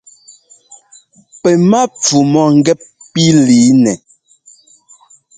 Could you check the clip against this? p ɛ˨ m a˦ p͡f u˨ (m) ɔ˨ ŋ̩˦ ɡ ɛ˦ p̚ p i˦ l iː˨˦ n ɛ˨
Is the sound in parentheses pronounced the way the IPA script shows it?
yes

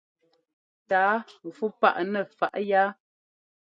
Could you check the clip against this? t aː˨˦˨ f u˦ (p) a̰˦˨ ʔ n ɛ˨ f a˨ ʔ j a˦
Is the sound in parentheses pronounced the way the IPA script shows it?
yes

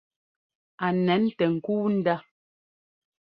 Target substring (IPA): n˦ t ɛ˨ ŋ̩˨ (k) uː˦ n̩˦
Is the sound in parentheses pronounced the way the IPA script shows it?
yes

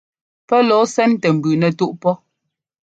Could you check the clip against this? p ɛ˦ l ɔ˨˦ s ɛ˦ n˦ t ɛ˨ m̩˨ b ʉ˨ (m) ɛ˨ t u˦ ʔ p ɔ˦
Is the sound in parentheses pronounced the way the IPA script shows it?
no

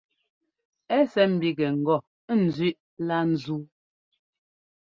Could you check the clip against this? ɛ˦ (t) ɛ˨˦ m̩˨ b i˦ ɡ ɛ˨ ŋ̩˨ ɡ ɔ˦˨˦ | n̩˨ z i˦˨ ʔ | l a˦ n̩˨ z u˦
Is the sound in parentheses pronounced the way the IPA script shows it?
no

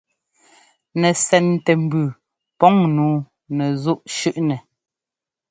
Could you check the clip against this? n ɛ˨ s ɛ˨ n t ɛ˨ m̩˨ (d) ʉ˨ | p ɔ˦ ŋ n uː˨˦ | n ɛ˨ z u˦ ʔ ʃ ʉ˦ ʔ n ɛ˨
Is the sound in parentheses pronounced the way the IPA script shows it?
no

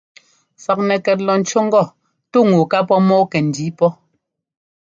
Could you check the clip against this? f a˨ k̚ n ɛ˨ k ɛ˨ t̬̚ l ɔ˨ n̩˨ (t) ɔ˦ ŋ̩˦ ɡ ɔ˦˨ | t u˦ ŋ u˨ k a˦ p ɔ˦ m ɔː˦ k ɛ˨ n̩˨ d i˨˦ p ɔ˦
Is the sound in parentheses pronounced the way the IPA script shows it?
no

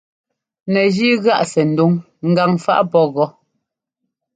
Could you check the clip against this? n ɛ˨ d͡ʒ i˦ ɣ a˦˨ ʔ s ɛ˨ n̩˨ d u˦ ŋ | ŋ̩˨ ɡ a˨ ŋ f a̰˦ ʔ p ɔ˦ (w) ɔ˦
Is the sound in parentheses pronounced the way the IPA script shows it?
no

